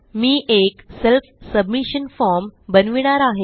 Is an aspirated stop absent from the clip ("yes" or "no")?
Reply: yes